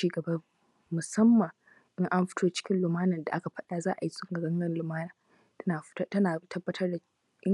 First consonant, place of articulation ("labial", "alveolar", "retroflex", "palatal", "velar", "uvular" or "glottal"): velar